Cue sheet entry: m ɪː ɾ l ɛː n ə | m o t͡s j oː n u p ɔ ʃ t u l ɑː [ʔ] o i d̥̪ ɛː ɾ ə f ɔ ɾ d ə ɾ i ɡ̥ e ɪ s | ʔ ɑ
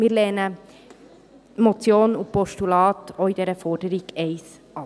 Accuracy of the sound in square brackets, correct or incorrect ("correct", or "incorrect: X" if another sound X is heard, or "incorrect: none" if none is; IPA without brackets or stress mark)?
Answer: incorrect: t